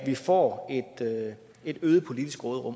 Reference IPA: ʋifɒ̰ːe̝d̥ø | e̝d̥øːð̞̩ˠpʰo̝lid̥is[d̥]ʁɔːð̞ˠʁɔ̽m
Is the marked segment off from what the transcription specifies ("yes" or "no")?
yes